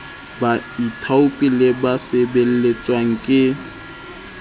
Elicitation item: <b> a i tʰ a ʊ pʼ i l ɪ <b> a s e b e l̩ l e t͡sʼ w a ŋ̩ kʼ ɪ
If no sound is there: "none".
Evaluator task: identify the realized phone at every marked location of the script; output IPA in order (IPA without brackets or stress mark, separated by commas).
b, b